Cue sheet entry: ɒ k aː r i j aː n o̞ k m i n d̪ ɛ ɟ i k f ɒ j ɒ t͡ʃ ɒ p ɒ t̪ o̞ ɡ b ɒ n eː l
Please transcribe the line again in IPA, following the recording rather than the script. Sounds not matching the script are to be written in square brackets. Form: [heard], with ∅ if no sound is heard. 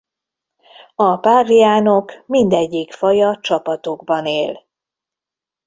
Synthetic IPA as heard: ɒ [p] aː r i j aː n o̞ k m i n d̪ ɛ [ɟː] i k f ɒ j ɒ t͡ʃ ɒ p ɒ t̪ o̞ ɡ b ɒ n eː l